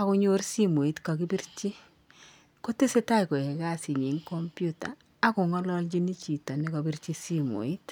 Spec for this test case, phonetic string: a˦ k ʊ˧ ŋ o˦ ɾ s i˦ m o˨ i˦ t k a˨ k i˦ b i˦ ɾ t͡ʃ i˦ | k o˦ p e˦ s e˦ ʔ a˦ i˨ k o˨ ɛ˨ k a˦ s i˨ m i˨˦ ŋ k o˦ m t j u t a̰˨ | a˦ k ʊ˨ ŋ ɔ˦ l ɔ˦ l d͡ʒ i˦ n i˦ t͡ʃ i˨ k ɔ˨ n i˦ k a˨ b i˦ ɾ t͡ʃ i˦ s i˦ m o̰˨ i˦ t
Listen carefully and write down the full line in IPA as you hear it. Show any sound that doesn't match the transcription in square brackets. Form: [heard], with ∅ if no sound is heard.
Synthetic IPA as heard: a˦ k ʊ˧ [ɲ] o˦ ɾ s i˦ m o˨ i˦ t k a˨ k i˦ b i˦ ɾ t͡ʃ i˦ | k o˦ [t] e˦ s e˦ [t] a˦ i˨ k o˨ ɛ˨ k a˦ s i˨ [ɲ] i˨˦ ŋ k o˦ m [p] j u t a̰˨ | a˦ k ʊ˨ ŋ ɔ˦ l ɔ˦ l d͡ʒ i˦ n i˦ t͡ʃ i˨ [t] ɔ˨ n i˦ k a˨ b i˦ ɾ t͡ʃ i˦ s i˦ m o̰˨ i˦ t